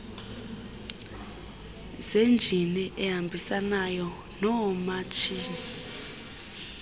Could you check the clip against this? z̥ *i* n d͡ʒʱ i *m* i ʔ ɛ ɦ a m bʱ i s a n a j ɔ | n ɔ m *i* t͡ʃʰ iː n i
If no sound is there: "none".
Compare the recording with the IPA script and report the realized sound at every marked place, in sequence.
e, n, a

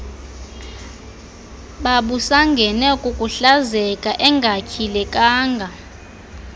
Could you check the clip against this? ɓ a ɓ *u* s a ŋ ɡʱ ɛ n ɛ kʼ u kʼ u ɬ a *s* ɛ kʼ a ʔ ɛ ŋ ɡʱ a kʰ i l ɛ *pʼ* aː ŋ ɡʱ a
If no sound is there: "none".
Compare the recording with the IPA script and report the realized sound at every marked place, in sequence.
u, z, kʼ

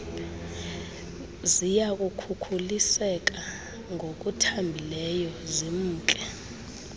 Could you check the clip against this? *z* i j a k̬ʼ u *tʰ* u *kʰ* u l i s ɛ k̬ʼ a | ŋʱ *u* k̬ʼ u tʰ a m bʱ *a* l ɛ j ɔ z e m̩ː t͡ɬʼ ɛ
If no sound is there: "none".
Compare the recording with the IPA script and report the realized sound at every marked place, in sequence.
z, kʰ, kʰ, o, i

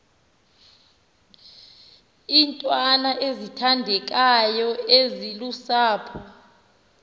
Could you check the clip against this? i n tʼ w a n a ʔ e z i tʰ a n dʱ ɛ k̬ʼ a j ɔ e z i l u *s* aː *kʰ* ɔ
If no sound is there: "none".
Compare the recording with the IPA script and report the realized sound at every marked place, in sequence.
s, pʰ

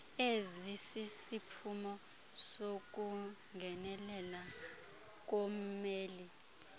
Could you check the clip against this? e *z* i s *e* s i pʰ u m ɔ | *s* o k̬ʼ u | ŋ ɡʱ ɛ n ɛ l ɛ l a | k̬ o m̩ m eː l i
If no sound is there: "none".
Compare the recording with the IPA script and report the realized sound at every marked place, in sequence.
z, i, s

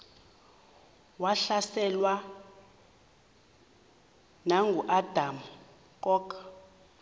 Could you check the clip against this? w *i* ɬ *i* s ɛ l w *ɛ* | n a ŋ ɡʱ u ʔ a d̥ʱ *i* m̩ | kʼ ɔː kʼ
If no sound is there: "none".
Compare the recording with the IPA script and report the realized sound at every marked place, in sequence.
a, a, a, a

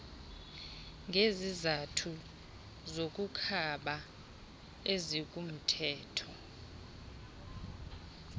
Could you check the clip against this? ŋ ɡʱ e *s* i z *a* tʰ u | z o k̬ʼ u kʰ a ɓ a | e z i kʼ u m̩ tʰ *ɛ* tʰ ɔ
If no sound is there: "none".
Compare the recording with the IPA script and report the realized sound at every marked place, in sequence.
z, a, ɛː

